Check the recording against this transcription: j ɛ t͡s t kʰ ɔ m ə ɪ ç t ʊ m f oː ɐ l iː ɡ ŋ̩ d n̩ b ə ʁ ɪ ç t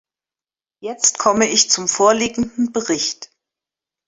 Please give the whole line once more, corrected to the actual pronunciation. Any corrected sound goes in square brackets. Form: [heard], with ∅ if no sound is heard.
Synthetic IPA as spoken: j ɛ t͡s t kʰ ɔ m ə ɪ ç [t͡s] ʊ m f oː ɐ l iː ɡ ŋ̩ d n̩ b ə ʁ ɪ ç t

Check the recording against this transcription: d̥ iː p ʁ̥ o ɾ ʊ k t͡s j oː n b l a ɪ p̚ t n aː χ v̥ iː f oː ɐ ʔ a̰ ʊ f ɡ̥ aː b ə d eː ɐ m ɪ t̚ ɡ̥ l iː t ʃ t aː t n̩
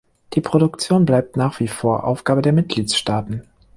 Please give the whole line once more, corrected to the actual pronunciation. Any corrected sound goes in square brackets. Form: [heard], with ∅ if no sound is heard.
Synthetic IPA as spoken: d̥ iː p ʁ̥ o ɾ ʊ k t͡s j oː n b l a ɪ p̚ t n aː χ v̥ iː f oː ɐ ʔ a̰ ʊ f ɡ̥ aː b ə d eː ɐ m ɪ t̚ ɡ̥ l iː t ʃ t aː t n̩

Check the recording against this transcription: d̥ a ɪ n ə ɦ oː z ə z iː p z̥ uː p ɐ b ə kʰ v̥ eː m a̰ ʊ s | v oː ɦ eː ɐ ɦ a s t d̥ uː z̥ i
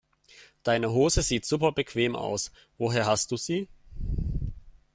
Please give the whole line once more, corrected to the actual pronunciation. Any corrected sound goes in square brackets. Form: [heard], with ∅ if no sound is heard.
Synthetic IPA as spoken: d̥ a ɪ n ə ɦ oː z ə z iː [t] z̥ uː p ɐ b ə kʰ v̥ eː m a̰ ʊ s | v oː ɦ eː ɐ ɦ a s t d̥ uː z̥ [iː]

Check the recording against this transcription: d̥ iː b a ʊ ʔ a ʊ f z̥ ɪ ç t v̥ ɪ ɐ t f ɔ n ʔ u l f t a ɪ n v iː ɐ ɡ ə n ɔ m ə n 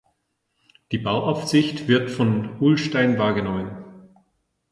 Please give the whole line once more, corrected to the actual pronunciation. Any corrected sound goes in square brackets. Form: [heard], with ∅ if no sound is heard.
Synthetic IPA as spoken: d̥ iː b a ʊ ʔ a ʊ f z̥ ɪ ç t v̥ ɪ ɐ t f ɔ n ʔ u l [ʃ] t a ɪ n v [aː] ɐ ɡ ə n ɔ m ə n

